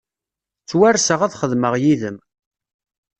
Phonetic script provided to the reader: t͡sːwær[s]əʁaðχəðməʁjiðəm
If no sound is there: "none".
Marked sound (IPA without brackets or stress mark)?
s